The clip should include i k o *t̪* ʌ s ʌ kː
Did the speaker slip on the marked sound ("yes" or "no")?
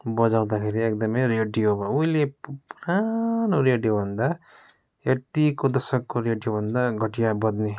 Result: yes